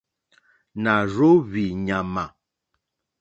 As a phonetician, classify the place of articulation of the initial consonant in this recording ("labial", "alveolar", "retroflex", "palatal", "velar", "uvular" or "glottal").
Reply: alveolar